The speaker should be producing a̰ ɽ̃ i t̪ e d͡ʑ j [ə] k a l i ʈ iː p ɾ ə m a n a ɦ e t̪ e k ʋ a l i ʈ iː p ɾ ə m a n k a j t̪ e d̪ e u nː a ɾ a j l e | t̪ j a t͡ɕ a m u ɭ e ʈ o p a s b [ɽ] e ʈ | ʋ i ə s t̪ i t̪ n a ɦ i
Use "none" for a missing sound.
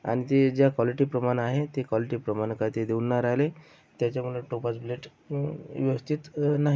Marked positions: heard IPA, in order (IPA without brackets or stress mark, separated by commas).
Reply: a, l